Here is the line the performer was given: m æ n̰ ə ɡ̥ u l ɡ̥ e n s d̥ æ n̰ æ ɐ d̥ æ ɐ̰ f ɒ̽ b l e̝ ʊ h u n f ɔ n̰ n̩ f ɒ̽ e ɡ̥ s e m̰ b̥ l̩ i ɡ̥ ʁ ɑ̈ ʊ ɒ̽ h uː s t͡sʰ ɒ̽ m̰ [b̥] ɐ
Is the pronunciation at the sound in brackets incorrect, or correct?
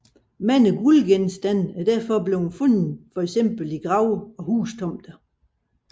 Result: incorrect